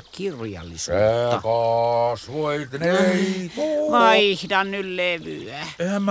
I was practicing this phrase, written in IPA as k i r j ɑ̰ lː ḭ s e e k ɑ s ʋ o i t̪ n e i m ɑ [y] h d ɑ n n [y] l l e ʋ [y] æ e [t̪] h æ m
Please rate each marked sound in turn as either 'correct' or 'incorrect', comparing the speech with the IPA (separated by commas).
incorrect, correct, correct, incorrect